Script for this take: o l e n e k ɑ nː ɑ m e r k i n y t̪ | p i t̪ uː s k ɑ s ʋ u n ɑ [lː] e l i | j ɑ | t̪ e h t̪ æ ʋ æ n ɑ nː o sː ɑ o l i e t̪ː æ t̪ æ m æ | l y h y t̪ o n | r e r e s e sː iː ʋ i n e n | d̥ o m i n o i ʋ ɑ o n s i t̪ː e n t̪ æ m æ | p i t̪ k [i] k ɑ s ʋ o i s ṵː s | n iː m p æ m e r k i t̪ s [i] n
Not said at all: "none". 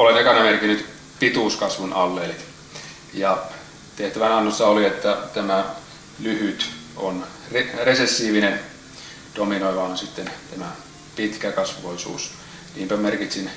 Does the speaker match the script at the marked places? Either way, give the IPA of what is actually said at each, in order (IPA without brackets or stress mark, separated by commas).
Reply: lː, æ, i